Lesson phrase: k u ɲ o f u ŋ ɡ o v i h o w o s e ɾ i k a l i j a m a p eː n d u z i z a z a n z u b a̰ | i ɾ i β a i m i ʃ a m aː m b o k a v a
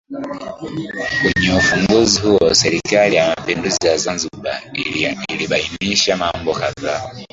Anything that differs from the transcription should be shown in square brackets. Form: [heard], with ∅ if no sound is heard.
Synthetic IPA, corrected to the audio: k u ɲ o f u ŋ ɡ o [z] i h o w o s e ɾ i k a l i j a m a p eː n d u z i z a z a n z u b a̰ | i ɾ i β a i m i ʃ a m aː m b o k a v a